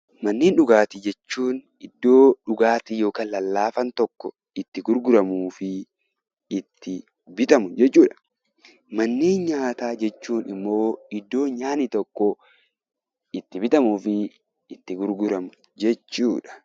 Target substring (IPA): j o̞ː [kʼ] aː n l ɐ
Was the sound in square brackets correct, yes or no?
no